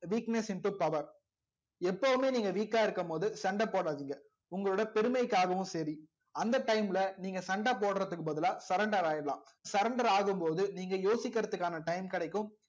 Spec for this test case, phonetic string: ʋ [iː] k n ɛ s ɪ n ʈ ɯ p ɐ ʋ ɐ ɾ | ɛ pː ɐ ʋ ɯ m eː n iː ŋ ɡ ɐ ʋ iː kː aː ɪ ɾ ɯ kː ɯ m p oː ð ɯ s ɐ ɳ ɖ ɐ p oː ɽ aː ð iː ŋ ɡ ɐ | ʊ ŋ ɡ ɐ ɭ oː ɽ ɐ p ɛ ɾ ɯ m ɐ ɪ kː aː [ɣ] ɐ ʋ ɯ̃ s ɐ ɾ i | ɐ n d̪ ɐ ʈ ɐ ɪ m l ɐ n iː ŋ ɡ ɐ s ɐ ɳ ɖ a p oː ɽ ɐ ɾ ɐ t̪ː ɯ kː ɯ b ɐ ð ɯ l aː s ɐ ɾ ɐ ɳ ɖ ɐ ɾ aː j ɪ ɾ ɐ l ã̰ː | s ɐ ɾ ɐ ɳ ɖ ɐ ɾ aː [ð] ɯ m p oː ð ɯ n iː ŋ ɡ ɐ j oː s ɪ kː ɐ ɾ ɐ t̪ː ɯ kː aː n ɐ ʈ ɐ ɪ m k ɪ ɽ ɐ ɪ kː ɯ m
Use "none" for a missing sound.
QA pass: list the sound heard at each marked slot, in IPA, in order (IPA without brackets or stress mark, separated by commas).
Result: iː, ɣ, ɣ